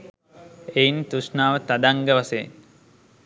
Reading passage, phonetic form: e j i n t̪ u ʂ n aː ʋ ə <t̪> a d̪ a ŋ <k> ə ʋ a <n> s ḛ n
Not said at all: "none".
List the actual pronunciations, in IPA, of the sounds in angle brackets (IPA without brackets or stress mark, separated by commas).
t̪, ɡ, none